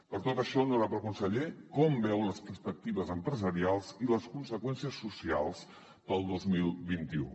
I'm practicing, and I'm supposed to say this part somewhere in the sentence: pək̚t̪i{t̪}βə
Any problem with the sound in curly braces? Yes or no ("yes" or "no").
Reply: yes